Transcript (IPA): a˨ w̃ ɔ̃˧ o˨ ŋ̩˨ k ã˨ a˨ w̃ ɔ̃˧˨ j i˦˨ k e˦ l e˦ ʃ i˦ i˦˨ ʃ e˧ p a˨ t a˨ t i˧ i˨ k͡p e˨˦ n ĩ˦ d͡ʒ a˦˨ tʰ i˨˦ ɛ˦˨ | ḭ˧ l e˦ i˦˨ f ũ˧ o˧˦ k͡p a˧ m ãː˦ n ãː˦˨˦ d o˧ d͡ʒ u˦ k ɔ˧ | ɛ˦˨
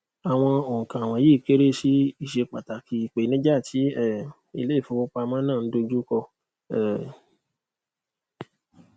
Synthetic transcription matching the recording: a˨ w̃ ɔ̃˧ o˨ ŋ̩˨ k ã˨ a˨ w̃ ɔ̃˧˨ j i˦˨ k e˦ ɾ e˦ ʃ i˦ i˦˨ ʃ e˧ k͡p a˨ t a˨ k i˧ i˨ k͡p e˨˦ n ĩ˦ d͡ʒ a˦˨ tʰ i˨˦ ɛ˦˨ | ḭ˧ l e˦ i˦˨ f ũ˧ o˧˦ k͡p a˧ m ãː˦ n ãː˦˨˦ d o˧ d͡ʒ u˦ k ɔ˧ | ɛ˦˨